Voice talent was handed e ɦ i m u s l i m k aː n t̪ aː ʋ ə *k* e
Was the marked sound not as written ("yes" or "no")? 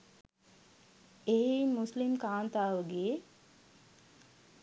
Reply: yes